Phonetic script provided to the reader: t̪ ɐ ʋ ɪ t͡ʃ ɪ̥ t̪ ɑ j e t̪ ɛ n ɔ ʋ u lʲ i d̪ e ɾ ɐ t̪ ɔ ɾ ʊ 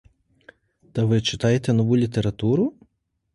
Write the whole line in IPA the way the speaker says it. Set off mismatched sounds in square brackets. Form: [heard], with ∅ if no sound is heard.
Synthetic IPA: t̪ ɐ ʋ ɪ t͡ʃ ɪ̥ t̪ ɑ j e t̪ ɛ n ɔ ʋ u lʲ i [t̪] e ɾ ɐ t̪ [u] ɾ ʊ